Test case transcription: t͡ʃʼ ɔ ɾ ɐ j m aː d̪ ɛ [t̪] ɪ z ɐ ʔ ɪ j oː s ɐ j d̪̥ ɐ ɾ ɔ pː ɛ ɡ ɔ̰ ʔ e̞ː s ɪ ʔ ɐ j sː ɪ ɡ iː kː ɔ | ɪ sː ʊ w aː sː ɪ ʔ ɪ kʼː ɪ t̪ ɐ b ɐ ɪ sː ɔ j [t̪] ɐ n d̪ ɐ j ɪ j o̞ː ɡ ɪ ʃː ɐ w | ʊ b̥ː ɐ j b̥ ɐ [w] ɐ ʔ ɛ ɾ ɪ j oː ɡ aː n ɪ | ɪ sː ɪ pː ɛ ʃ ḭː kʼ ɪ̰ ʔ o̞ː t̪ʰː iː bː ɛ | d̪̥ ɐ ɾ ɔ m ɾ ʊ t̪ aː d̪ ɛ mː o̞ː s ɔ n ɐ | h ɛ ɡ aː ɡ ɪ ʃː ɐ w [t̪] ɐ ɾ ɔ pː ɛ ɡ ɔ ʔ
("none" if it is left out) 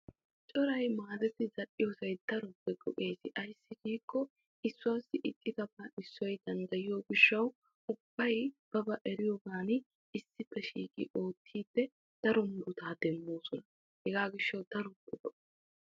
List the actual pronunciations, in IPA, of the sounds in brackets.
t̪, d̪, b, d̪

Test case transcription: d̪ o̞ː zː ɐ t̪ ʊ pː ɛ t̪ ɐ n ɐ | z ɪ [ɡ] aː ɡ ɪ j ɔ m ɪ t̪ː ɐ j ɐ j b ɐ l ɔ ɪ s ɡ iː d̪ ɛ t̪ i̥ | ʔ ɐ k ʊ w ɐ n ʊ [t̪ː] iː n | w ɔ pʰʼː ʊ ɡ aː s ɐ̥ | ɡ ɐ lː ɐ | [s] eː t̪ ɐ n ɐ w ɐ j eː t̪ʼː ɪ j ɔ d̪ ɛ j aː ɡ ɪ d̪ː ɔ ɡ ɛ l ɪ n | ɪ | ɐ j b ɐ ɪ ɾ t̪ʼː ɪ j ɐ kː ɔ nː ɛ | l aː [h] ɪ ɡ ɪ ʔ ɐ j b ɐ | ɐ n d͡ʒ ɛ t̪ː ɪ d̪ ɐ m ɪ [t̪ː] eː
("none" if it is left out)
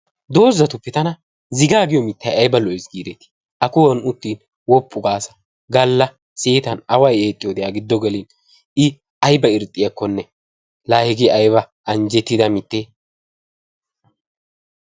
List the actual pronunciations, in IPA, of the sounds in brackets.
ɡ, t̪ː, s, h, t̪ː

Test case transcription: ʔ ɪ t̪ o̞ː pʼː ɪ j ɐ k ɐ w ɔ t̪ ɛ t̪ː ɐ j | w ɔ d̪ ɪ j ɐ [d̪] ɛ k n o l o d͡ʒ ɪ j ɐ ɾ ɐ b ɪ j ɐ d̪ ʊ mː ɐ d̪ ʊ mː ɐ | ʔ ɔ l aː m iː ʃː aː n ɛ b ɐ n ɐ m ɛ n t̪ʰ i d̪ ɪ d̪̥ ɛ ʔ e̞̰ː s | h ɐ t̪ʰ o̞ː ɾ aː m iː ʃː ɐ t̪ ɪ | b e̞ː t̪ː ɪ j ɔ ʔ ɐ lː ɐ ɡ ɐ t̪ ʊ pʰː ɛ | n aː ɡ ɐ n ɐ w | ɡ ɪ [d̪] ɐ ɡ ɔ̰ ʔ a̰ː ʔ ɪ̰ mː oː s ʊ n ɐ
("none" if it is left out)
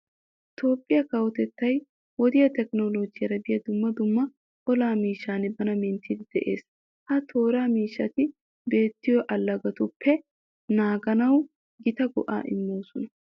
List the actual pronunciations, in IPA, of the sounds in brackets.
t̪, t̪

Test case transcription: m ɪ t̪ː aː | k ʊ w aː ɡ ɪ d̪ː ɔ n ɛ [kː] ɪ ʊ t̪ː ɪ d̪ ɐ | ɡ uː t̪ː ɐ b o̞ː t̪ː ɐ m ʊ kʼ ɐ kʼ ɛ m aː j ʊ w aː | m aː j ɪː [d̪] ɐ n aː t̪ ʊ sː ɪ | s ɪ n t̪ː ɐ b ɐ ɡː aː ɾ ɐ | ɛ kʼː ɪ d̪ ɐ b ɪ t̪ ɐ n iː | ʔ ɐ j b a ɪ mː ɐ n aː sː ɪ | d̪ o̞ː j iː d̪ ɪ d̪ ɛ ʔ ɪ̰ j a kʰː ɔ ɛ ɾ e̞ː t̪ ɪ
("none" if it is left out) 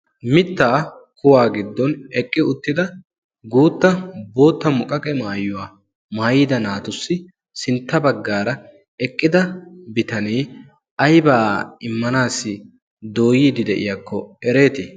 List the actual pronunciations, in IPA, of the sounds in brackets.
kʼː, d̪

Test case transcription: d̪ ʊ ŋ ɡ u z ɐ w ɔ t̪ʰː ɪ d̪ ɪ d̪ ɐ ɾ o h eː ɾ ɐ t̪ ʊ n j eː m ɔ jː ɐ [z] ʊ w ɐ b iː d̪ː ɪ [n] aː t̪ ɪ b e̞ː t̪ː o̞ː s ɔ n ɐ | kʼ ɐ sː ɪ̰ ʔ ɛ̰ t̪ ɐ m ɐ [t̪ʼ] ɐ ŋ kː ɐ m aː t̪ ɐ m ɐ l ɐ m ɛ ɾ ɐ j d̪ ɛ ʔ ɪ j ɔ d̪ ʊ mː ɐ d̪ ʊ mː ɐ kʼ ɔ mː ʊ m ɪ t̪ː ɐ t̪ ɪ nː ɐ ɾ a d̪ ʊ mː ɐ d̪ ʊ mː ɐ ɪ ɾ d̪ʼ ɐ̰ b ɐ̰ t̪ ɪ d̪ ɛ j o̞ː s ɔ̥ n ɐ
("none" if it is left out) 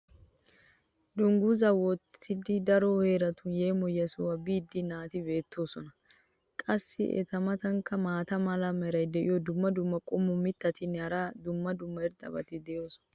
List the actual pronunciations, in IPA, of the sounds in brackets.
s, n, t̪

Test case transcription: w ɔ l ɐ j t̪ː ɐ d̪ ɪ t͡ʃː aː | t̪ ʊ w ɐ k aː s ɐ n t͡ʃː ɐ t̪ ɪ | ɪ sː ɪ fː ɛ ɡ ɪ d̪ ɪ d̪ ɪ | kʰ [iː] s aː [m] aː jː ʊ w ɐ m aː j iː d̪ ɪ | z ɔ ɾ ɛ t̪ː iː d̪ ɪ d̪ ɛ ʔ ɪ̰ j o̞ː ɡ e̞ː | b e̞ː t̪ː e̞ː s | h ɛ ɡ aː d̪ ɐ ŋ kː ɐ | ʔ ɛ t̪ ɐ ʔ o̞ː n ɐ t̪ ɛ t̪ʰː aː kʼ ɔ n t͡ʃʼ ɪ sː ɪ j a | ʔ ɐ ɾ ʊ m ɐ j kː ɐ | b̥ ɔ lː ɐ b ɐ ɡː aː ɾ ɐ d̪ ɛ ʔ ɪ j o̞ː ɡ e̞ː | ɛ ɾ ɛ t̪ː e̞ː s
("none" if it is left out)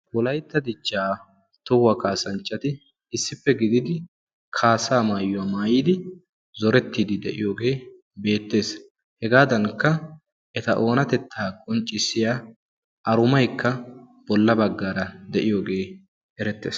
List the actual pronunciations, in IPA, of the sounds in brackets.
aː, m

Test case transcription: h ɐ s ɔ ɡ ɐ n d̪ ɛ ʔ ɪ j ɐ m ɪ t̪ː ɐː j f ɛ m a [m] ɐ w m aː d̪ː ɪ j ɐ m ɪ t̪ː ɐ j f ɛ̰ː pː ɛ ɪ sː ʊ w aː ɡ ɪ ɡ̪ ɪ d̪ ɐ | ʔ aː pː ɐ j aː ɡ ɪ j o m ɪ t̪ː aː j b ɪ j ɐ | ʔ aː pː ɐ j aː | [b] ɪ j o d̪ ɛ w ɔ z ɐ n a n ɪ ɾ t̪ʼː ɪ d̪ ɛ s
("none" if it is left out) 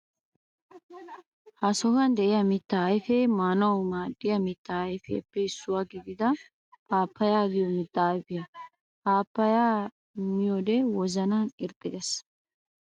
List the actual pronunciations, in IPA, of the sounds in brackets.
n, m

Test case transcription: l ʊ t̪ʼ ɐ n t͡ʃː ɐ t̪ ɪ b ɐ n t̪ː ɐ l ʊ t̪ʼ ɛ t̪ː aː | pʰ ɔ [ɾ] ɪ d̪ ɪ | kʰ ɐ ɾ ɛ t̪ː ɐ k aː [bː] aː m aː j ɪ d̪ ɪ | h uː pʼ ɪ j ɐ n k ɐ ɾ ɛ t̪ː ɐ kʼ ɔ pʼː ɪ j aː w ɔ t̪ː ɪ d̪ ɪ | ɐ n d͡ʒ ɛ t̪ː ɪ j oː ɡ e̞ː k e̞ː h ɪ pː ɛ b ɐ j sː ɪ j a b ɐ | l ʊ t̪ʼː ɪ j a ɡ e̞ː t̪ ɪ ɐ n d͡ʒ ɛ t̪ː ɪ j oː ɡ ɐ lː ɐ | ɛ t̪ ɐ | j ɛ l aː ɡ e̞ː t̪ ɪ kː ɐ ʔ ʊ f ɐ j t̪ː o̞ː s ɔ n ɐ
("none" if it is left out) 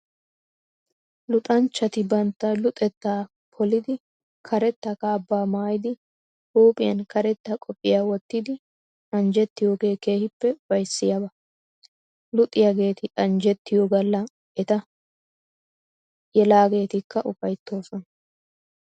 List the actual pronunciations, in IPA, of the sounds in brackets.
l, bː

